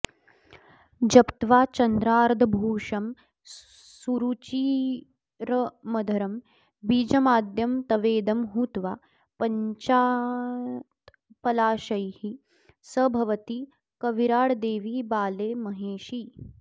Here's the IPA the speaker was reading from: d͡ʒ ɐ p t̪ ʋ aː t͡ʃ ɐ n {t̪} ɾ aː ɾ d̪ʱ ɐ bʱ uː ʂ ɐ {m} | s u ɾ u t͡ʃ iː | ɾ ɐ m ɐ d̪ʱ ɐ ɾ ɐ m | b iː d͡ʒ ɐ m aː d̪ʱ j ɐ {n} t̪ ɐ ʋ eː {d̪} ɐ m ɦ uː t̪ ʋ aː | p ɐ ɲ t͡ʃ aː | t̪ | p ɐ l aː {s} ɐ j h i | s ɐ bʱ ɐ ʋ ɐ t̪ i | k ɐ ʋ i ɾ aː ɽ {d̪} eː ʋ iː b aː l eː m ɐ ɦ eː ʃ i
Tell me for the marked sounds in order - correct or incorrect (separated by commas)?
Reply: incorrect, correct, incorrect, correct, incorrect, correct